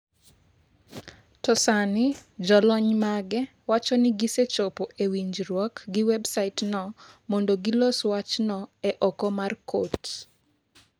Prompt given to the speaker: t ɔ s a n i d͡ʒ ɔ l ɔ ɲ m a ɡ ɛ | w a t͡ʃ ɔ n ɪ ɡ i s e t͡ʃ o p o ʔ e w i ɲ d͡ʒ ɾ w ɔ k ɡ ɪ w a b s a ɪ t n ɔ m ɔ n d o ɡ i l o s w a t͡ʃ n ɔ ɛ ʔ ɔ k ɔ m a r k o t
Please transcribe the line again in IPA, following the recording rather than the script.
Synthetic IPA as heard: t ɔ s a n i d͡ʒ ɔ l ɔ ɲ m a ɡ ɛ | w a t͡ʃ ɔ n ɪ ɡ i s e t͡ʃ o p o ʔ e w i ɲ d͡ʒ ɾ w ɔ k ɡ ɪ w ɛ b s a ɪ t n ɔ m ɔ n d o ɡ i l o s w a t͡ʃ n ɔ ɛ ʔ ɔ k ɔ m a r k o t